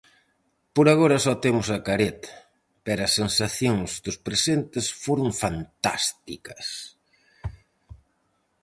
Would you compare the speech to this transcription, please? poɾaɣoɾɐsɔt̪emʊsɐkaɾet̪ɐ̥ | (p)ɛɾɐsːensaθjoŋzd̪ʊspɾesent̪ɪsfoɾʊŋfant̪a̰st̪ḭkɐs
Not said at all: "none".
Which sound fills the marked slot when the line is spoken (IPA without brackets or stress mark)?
p